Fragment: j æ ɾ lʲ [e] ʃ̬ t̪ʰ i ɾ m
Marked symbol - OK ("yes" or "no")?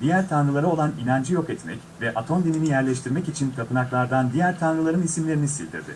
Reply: no